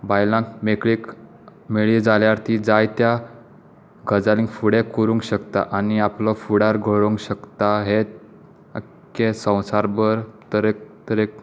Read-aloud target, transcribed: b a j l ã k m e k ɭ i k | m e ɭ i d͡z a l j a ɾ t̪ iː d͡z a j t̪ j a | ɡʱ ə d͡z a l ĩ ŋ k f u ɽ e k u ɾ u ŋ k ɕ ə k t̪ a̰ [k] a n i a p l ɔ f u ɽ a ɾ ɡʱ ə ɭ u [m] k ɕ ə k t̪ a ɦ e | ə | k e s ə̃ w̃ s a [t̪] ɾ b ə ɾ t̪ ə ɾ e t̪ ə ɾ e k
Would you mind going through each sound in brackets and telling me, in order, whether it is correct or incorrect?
incorrect, incorrect, incorrect

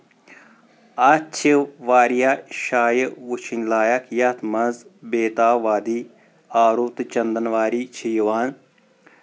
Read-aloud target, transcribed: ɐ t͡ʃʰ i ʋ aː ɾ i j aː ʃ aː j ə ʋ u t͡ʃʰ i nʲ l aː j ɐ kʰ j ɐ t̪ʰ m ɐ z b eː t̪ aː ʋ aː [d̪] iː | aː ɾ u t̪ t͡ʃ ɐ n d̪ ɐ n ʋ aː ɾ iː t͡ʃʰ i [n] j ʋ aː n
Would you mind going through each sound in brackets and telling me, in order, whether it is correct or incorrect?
correct, incorrect

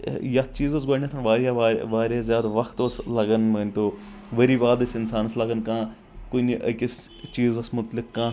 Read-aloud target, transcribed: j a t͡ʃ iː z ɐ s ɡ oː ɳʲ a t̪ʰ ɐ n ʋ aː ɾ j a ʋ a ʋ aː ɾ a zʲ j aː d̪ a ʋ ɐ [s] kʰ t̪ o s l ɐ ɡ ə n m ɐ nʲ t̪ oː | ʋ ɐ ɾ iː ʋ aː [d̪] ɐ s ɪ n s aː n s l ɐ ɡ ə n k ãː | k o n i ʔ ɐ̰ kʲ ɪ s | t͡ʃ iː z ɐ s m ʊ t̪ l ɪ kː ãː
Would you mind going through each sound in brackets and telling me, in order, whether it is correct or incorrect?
incorrect, correct

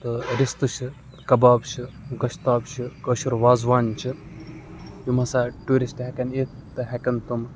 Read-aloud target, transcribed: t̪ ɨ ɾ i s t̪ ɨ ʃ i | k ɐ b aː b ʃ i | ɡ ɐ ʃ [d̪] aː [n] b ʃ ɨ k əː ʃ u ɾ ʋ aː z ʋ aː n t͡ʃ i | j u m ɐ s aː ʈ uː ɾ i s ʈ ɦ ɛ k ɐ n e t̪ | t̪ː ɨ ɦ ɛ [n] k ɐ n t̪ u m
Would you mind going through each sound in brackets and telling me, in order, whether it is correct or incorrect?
incorrect, incorrect, incorrect

